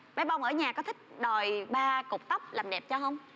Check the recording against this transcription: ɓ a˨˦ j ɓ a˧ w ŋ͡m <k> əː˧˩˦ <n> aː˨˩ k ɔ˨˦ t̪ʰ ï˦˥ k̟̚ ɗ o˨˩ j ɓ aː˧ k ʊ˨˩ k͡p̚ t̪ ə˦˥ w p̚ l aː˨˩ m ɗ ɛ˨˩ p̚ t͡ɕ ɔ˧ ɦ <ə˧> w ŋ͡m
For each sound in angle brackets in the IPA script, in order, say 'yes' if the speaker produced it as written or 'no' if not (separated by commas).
no, no, yes